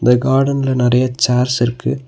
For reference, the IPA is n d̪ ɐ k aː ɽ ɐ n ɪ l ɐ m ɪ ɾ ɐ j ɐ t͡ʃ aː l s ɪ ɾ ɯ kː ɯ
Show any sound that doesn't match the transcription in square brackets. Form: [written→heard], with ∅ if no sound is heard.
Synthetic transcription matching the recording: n d̪ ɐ [k→ɡ] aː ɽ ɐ n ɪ l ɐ [m→n] ɪ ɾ ɐ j ɐ t͡ʃ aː [l→ɾ] s ɪ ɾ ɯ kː ɯ